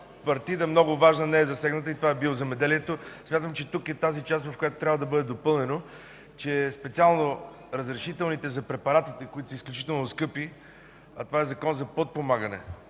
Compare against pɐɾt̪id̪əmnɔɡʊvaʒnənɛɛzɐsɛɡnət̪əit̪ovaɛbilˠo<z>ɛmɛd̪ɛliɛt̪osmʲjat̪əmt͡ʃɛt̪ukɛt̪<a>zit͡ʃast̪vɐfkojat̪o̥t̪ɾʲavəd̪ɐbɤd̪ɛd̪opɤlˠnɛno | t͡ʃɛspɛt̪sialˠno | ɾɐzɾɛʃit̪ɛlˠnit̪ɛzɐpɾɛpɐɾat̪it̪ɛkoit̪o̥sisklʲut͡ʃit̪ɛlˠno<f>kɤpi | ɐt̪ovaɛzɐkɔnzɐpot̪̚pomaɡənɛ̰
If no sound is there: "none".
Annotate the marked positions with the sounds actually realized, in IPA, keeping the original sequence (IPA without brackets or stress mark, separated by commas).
z, a, s